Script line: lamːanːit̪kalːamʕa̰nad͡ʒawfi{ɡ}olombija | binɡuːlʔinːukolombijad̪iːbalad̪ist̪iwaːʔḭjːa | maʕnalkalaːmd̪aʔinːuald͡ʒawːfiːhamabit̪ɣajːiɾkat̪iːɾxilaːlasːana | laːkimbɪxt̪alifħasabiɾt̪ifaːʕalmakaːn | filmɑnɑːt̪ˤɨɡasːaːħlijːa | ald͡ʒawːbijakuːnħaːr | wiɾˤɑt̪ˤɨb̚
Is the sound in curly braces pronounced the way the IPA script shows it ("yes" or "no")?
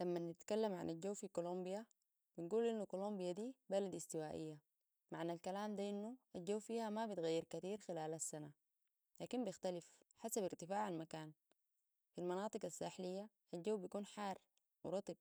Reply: no